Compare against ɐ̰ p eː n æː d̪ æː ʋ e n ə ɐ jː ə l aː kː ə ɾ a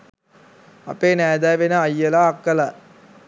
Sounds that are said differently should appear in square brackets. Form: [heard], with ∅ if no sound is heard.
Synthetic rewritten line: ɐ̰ p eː n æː d̪ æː ʋ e n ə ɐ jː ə l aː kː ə [l] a